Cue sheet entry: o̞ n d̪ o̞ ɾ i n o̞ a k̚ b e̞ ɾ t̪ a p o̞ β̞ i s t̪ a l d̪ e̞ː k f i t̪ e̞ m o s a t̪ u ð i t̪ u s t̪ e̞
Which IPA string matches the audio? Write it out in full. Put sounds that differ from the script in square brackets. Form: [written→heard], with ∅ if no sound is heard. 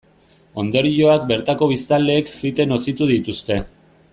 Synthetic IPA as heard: o̞ n d̪ o̞ ɾ i [n→∅] o̞ a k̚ b e̞ ɾ t̪ a [p→k] o̞ β̞ i s t̪ a l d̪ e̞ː k f i t̪ e̞ [m→n] o s [a→i] t̪ u ð i t̪ u s t̪ e̞